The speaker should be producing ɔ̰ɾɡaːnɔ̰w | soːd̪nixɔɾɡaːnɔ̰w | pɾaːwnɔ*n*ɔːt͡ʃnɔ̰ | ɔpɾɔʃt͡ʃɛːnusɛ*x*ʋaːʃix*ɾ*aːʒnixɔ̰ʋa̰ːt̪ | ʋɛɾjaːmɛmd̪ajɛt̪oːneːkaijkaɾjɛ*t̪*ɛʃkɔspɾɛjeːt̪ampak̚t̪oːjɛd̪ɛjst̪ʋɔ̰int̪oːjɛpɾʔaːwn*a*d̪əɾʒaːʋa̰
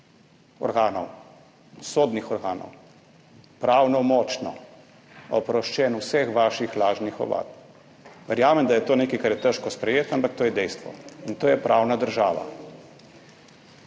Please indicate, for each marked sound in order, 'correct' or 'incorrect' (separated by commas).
incorrect, correct, incorrect, correct, correct